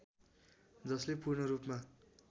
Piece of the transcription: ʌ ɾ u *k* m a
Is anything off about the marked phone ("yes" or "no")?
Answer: yes